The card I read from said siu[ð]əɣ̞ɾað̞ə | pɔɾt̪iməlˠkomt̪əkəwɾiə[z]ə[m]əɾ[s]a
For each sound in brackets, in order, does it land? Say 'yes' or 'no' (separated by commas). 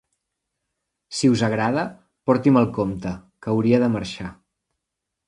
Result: no, no, yes, no